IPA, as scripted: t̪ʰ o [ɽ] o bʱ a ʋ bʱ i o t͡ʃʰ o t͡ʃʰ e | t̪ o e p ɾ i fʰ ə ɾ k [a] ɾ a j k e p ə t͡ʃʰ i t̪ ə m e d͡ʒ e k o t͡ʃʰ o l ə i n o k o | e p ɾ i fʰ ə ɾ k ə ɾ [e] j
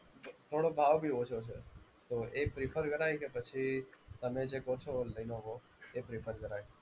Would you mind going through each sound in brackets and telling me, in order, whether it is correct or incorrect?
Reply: correct, incorrect: ə, incorrect: a

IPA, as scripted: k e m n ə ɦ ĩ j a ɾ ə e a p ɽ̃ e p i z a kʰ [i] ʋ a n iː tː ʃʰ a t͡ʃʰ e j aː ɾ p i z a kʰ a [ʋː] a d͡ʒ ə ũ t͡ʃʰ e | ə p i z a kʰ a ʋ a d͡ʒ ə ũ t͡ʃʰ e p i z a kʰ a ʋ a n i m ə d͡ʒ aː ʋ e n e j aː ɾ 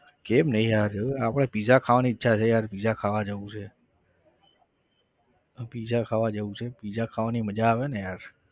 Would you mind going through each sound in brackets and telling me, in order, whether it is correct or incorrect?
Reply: incorrect: a, incorrect: ʋ

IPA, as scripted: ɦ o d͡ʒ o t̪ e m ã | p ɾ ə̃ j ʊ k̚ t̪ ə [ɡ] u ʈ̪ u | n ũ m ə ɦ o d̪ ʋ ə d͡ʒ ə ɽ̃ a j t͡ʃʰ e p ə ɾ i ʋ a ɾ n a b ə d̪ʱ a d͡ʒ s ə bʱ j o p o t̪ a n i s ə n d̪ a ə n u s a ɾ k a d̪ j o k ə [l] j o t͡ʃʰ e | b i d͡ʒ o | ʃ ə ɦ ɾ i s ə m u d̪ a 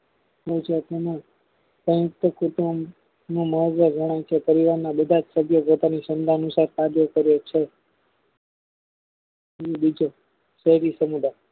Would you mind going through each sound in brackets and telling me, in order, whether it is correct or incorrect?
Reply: incorrect: k, incorrect: ɾ

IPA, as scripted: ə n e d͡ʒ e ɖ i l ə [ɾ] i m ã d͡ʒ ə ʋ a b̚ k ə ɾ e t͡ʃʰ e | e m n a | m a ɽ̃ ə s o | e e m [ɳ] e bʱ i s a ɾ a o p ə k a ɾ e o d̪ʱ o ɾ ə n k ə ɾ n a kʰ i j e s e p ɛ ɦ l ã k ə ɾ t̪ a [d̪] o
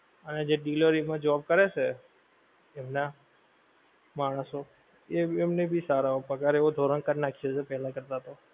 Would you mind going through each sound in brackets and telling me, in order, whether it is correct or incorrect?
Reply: correct, incorrect: n, incorrect: t̪

